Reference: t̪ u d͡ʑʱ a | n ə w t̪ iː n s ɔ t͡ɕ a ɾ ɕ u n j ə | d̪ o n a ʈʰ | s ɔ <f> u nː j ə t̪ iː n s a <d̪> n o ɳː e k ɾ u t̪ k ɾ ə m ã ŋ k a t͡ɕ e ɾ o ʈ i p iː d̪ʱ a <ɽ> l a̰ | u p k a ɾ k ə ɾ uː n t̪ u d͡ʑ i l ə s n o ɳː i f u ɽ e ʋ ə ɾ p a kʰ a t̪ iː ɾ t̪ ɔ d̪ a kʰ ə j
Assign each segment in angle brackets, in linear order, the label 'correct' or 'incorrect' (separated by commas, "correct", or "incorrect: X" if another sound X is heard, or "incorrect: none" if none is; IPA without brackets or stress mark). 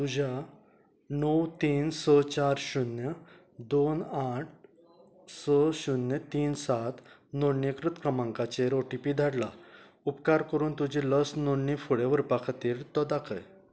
incorrect: ɕ, incorrect: t̪, correct